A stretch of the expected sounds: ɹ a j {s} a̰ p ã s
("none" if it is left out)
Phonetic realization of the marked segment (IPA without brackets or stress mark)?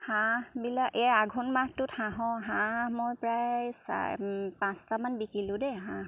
s